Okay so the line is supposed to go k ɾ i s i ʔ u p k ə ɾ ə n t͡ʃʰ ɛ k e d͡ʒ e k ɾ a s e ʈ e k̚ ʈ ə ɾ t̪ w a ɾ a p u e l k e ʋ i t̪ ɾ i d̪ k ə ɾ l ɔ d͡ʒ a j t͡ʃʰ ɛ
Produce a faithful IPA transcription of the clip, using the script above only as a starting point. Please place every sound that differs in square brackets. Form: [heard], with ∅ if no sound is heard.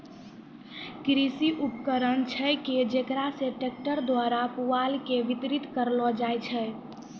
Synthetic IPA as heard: k ɾ i s i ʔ u p k ə ɾ ə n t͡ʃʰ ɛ k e d͡ʒ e k ɾ a s e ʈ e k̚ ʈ ə ɾ [d̪] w a ɾ a p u [a] l k e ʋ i t̪ ɾ i [t̪] k ə ɾ l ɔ d͡ʒ a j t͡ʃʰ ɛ